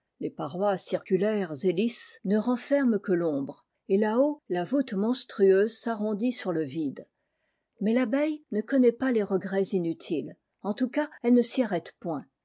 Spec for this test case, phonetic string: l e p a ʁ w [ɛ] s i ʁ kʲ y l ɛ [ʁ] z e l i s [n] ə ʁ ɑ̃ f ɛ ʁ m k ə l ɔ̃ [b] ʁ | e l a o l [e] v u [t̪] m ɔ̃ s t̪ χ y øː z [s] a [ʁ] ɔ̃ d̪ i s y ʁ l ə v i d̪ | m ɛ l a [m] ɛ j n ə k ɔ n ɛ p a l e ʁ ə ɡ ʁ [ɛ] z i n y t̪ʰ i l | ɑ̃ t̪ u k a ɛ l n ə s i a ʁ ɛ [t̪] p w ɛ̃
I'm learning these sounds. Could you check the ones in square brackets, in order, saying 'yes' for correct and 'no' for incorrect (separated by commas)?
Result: no, yes, yes, yes, no, yes, yes, yes, no, yes, yes